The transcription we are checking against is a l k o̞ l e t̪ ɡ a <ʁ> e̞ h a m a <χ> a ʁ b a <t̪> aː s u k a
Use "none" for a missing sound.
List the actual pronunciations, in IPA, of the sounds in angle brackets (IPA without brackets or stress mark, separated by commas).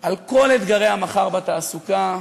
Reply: ʁ, χ, t̪